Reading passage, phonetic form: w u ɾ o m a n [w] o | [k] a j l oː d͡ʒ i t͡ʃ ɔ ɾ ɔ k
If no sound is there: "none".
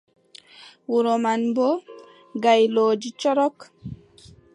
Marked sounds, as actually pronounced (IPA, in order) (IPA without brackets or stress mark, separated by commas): b, ɡ